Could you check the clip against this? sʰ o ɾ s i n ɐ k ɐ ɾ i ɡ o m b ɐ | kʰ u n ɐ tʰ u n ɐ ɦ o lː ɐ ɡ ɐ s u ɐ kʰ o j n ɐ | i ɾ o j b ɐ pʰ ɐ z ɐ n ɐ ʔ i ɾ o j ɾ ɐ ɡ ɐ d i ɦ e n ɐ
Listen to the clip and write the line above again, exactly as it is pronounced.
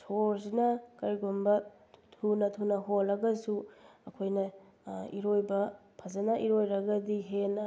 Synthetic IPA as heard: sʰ o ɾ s i n ɐ k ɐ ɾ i ɡ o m b ɐ | tʰ u n ɐ tʰ u n ɐ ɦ o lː ɐ ɡ ɐ s u ɐ kʰ o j n ɐ | i ɾ o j b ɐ pʰ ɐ z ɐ n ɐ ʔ i ɾ o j ɾ ɐ ɡ ɐ d i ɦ e n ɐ